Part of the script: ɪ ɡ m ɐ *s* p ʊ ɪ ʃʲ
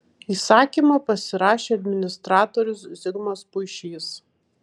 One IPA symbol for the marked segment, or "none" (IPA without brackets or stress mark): s